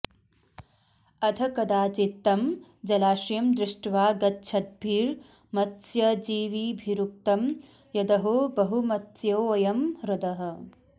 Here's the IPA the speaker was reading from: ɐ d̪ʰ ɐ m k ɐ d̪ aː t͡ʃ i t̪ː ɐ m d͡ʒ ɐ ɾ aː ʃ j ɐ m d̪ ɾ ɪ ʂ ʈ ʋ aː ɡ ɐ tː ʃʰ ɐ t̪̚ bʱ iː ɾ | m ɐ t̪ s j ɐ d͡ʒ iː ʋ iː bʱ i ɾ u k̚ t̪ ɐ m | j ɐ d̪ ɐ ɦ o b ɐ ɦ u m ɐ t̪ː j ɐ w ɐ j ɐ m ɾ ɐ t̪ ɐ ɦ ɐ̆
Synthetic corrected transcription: ɐ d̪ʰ ɐ k ɐ d̪ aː t͡ʃ i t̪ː ɐ m d͡ʒ ɐ l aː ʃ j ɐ m d̪ ɾ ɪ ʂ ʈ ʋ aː ɡ ɐ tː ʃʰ ɐ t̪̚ bʱ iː ɾ | m ɐ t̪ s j ɐ d͡ʒ iː ʋ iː bʱ i ɾ u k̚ t̪ ɐ m | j ɐ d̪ ɐ ɦ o b ɐ ɦ u m ɐ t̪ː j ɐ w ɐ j ɐ m ɾ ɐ d̪ ɐ ɦ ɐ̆